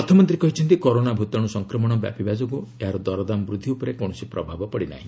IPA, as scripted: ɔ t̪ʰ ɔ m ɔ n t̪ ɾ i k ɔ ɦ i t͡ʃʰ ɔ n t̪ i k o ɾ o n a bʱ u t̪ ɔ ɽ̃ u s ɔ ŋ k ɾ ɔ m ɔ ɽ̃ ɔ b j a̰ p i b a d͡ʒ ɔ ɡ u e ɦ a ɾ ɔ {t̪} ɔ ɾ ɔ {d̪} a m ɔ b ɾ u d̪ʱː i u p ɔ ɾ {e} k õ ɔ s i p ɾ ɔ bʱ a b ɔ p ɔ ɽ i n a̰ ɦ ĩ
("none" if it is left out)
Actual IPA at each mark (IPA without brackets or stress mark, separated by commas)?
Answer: d̪, d̪, e